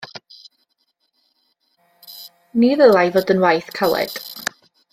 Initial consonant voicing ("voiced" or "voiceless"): voiced